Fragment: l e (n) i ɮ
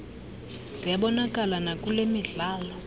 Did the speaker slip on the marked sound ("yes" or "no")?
yes